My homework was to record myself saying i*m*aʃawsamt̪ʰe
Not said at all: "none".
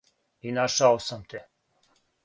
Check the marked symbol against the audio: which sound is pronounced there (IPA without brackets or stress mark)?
n